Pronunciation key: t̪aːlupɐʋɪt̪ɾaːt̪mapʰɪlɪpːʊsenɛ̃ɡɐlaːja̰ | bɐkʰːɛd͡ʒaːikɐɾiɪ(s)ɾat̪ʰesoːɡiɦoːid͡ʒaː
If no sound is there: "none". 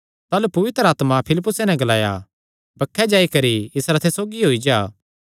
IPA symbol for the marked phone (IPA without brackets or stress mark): s